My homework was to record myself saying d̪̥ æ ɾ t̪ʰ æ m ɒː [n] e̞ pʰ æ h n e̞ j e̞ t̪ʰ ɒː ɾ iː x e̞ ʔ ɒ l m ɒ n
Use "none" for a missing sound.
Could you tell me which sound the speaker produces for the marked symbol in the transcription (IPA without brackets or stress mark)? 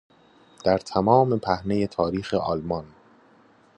m